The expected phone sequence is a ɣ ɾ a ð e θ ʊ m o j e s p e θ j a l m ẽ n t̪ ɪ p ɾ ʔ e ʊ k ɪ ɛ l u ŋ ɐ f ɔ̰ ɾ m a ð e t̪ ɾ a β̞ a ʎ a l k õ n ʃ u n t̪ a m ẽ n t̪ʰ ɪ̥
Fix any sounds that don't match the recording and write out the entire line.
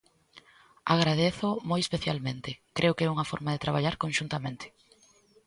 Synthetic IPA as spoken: a ɣ ɾ a ð e θ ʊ m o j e s p e θ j a l m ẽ n t̪ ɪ k ɾ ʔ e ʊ k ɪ ɛ u ŋ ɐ f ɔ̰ ɾ m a ð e t̪ ɾ a β̞ a ʎ a ɾ k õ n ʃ u n t̪ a m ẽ n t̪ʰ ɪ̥